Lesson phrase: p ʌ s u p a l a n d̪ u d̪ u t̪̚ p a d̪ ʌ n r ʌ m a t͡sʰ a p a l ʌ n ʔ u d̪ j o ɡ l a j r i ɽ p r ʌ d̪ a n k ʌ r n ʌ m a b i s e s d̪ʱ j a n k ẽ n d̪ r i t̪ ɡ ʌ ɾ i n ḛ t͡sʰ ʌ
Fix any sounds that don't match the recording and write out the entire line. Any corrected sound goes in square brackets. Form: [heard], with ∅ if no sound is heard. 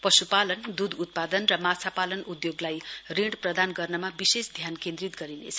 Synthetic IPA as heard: p ʌ s u p a l [ʌ] n d̪ u d̪ u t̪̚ p a d̪ ʌ n r ʌ m a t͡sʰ a p a l ʌ n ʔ u d̪ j o ɡ l a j r i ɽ p r ʌ d̪ a n [ɡ] ʌ r n ʌ m a b i s e s d̪ʱ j a n k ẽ n d̪ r i t̪ ɡ ʌ ɾ i n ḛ t͡sʰ ʌ